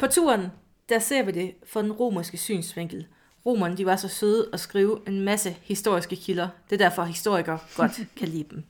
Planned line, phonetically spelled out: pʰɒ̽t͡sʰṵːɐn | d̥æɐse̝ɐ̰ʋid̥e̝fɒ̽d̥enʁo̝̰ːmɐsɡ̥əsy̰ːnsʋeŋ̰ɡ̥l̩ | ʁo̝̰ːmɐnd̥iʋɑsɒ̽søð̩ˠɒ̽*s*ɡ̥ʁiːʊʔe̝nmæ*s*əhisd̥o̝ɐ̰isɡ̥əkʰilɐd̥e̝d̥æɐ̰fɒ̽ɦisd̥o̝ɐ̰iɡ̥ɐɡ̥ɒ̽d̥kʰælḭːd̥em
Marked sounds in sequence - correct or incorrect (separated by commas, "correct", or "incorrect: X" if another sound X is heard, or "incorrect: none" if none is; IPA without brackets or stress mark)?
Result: correct, correct